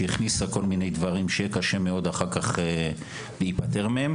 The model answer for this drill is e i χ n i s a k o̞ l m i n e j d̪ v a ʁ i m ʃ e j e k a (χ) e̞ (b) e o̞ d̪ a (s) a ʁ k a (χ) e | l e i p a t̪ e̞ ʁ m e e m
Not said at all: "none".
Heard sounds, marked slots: ʃ, m, χ, χ

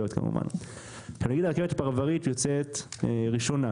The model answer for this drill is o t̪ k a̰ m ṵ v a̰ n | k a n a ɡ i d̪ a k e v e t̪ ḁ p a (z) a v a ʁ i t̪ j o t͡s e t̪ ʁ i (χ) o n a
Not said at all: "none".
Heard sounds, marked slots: ʁ, ʃ

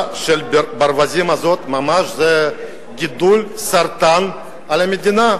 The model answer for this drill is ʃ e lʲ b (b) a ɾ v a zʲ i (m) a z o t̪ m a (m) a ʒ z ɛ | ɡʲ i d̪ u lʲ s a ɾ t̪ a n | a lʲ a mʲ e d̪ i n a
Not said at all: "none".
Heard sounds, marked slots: b, m, m

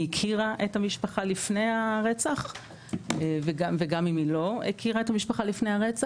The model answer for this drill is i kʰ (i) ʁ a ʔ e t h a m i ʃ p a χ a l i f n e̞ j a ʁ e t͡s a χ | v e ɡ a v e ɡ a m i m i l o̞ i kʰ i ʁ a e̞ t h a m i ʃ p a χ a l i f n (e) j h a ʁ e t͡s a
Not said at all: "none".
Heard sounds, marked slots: i, e

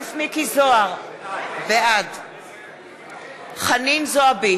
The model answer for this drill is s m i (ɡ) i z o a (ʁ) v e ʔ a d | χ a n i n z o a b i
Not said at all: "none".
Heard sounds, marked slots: k, ʁ

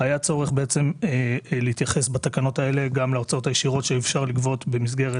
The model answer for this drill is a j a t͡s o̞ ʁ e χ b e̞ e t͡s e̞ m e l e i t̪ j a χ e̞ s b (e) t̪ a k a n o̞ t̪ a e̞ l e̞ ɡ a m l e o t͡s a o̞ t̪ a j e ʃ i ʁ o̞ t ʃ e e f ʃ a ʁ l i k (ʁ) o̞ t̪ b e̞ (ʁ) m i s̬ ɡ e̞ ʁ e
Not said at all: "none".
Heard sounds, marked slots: a, v, none

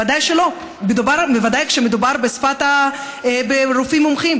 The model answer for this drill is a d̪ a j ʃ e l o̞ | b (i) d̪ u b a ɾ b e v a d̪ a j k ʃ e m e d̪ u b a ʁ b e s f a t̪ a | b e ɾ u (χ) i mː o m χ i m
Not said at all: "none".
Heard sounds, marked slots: e, f

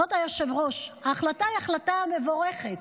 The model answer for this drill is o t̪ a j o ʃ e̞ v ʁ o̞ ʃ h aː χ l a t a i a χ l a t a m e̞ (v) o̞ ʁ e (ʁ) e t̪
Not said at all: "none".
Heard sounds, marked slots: v, χ

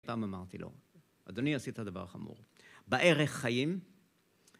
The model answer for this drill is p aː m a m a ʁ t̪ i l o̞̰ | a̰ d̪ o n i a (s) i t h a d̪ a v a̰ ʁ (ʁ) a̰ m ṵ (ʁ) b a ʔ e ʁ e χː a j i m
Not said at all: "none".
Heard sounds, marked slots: s, χ, ʁ

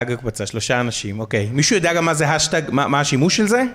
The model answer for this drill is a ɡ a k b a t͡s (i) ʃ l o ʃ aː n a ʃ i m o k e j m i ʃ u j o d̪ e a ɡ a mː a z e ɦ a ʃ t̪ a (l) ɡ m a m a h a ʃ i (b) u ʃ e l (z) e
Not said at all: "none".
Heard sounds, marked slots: a, none, m, z

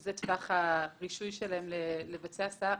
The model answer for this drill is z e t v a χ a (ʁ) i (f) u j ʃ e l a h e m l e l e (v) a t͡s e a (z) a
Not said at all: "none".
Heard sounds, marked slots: ʁ, ʃ, v, s

